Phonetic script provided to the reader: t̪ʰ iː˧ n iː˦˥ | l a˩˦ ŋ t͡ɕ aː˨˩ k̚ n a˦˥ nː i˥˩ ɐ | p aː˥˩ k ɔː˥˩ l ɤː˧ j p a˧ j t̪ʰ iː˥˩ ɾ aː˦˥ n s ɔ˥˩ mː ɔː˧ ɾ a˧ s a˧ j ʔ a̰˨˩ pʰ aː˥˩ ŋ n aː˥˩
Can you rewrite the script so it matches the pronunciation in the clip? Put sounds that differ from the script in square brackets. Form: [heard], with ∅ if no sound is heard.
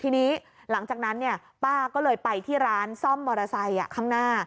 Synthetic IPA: t̪ʰ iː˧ n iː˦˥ | l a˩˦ ŋ t͡ɕ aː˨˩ k̚ n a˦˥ nː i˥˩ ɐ | p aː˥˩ k ɔː˥˩ l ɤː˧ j p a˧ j t̪ʰ iː˥˩ ɾ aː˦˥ n s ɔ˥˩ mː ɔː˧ ɾ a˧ s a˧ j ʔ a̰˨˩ [kʰ] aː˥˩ ŋ n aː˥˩